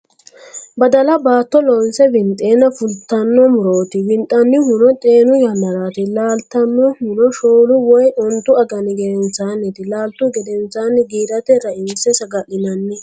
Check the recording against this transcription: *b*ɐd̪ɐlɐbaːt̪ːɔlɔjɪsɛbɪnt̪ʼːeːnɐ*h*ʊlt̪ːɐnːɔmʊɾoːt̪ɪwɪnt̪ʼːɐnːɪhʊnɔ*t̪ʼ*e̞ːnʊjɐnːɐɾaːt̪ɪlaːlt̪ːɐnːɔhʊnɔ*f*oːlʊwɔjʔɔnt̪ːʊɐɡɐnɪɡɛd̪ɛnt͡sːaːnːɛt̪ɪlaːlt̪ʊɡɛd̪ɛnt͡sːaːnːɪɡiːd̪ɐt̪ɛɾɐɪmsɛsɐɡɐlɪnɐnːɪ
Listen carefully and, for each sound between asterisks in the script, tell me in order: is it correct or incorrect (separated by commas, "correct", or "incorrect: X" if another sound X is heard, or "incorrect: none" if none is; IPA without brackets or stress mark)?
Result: correct, incorrect: f, correct, incorrect: ʃ